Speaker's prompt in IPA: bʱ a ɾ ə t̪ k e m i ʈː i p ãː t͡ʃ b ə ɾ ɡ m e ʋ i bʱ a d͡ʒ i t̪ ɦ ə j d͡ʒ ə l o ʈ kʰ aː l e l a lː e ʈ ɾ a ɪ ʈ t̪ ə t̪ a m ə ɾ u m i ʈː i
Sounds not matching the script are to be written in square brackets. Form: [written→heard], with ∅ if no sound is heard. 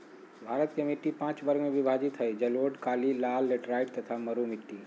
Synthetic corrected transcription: bʱ a ɾ ə t̪ k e m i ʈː i p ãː t͡ʃ b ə ɾ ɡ m e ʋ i bʱ a d͡ʒ i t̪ ɦ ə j d͡ʒ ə l o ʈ [kʰ→k] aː l [e→i] l a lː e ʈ ɾ a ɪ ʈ t̪ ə [t̪→t̪ʰ] a m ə ɾ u m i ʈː i